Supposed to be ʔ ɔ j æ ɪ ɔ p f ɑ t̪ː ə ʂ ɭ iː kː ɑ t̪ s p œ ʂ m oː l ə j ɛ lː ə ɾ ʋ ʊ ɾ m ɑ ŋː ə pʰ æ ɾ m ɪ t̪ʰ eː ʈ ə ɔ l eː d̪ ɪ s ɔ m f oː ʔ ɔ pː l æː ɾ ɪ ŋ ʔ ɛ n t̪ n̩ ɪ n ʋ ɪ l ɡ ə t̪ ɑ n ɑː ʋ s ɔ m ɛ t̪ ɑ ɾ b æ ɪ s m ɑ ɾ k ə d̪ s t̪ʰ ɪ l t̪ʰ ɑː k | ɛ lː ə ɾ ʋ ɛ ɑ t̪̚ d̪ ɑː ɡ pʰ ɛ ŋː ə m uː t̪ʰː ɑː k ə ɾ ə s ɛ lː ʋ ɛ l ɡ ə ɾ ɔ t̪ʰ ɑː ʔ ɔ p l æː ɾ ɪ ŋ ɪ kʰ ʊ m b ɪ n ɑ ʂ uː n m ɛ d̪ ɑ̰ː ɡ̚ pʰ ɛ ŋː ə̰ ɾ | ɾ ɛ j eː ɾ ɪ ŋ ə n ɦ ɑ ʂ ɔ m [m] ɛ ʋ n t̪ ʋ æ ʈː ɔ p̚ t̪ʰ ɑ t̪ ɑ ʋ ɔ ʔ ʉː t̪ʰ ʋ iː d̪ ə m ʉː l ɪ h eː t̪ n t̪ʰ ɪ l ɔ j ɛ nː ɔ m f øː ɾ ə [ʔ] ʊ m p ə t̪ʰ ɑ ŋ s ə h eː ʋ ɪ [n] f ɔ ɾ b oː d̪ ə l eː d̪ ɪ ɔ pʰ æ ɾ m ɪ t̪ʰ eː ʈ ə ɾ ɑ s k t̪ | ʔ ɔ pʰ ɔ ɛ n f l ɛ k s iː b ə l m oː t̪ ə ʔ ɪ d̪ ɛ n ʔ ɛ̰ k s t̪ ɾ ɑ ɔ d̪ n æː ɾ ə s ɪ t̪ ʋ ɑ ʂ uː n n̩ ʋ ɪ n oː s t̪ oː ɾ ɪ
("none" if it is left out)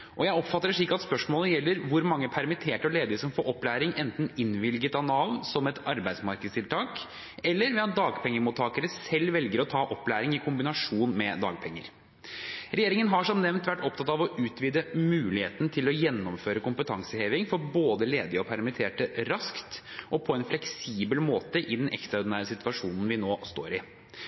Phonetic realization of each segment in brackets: n, k, ŋ

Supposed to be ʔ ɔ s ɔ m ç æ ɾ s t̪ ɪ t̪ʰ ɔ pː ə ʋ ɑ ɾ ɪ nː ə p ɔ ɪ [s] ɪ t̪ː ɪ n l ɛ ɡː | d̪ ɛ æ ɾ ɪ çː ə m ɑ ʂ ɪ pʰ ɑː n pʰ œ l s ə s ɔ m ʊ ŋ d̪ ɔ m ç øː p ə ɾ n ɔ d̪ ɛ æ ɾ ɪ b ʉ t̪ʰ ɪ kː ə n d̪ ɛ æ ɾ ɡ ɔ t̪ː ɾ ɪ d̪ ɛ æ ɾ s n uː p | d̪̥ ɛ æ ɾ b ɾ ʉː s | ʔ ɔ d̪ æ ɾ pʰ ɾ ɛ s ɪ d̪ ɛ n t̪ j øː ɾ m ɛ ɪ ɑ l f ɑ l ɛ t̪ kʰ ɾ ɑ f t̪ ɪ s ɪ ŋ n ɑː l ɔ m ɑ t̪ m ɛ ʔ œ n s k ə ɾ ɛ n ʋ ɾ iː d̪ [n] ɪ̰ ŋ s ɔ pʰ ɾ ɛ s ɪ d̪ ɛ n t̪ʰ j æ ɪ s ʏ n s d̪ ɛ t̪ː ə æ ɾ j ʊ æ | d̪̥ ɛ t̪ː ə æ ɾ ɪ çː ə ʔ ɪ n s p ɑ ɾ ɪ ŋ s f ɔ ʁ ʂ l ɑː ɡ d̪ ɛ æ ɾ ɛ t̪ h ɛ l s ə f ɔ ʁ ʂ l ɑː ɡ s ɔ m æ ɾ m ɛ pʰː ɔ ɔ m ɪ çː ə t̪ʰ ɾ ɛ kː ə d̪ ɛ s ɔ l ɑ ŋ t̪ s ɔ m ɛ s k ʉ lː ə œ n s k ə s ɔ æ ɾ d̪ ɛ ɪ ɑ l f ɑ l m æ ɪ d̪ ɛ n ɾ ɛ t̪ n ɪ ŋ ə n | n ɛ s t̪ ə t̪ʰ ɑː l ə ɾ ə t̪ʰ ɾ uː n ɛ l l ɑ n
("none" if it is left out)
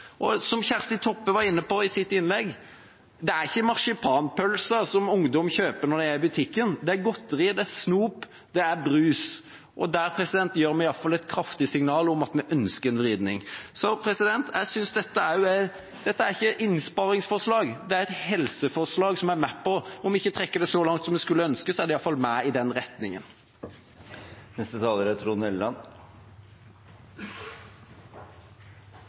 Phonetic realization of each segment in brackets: s, n

